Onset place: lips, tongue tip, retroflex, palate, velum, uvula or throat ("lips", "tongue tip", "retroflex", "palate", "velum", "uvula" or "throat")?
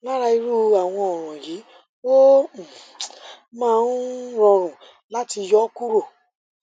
tongue tip